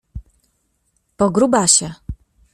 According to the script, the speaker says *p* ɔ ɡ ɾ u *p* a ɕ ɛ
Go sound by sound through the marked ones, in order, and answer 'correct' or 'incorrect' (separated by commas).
correct, incorrect